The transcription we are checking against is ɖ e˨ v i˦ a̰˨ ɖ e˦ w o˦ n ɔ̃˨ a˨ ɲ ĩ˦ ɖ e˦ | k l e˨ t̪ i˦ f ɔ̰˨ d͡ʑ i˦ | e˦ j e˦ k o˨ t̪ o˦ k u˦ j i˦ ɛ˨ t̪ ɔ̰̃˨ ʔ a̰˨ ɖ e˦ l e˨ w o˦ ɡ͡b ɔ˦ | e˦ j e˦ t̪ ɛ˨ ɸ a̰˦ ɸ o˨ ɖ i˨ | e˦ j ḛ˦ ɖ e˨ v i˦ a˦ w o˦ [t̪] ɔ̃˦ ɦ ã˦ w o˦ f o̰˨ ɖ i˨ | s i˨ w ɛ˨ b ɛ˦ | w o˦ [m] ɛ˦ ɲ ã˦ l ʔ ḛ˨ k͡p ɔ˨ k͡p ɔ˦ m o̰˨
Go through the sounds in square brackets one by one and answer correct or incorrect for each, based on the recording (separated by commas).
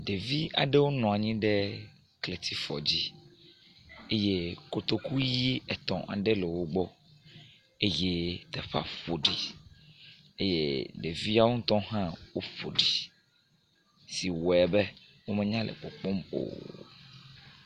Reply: correct, correct